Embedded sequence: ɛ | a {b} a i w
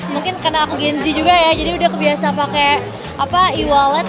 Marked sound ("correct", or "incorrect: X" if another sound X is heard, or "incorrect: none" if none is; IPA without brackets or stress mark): incorrect: p